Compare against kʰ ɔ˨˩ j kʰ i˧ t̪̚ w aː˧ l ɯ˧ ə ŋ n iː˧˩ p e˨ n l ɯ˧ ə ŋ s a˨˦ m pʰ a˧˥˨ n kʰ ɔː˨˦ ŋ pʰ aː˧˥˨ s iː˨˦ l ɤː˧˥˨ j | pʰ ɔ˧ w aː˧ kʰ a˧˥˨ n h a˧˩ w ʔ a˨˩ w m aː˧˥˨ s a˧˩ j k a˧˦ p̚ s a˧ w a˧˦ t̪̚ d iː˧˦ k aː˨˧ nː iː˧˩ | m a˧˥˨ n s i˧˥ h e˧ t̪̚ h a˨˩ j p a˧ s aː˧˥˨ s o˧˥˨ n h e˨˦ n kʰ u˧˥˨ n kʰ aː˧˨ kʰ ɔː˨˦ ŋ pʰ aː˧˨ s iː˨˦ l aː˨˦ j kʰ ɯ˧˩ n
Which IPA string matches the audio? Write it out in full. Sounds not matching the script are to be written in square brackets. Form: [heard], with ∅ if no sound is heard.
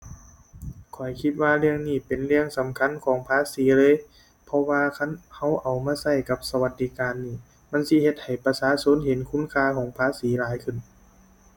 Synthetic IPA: kʰ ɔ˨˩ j kʰ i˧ t̪̚ w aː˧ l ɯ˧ ə ŋ n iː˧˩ p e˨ n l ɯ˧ ə ŋ s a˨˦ m [kʰ] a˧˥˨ n kʰ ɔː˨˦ ŋ pʰ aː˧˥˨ s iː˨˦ l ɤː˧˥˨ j | pʰ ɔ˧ w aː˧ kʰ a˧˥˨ n h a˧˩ w ʔ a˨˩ w m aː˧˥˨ s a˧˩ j k a˧˦ p̚ s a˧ w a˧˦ t̪̚ d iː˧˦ k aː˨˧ nː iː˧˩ | m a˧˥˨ n s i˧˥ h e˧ t̪̚ h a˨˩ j p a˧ s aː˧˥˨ s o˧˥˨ n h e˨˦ n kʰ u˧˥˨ n kʰ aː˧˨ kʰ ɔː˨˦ ŋ pʰ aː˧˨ s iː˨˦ l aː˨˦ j kʰ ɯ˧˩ n